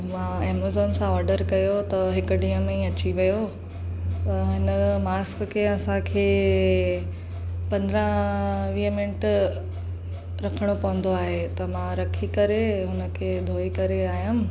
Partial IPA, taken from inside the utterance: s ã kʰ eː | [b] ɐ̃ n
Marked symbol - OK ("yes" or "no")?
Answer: no